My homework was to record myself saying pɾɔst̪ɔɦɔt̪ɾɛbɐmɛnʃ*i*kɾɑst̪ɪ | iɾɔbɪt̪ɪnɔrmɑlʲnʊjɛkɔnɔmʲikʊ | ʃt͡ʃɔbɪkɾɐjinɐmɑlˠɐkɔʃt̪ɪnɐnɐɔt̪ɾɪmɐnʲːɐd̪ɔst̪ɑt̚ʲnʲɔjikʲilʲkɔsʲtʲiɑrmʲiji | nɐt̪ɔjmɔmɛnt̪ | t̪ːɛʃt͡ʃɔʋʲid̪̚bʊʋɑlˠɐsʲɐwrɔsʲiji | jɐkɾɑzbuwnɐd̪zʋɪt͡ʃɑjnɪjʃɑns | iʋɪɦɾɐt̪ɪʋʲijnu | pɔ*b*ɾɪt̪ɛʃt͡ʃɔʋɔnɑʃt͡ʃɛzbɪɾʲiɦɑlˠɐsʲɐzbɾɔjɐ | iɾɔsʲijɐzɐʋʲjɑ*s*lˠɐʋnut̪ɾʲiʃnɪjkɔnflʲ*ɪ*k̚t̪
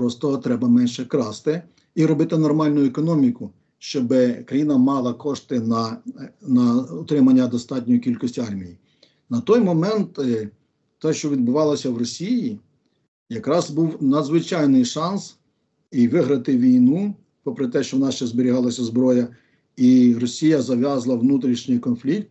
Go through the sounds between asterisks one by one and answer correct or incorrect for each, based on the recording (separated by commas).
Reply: incorrect, incorrect, incorrect, incorrect